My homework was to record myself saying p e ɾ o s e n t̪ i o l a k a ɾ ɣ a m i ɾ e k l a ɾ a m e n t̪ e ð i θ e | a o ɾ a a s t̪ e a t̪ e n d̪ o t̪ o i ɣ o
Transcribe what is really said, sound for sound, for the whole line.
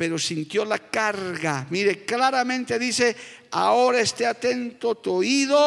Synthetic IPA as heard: p e ɾ o s i n t̪ j o l a k a ɾ ɣ a m i ɾ e k l a ɾ a m ẽ n t̪ e ð i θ e | a o ɾ a e s t̪ e a t̪ e n t̪ o t̪ o i ð o